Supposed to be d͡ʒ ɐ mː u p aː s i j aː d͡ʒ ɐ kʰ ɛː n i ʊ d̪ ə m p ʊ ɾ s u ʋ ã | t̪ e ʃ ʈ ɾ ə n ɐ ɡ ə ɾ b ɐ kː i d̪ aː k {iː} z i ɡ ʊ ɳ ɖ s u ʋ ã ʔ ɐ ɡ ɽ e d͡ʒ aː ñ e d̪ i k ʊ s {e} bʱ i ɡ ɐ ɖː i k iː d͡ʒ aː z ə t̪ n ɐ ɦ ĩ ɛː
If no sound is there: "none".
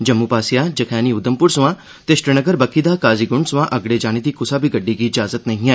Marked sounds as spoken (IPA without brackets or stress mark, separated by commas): aː, a